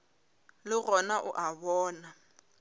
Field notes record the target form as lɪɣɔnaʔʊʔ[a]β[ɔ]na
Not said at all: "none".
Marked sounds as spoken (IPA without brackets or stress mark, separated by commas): a, ɔː